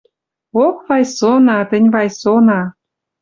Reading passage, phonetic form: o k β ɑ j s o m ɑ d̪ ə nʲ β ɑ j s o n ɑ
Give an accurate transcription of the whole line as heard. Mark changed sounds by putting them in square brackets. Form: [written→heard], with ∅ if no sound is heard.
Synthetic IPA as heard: o k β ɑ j s o [m→n] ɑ [d̪→t̪] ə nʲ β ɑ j s o n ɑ